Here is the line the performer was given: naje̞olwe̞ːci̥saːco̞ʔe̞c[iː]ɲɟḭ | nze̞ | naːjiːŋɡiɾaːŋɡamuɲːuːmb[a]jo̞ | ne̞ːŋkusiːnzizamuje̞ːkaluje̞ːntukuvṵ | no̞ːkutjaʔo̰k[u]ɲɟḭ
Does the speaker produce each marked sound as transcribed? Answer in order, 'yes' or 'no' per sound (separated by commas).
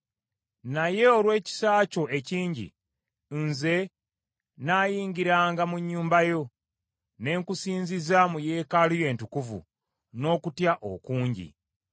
yes, yes, no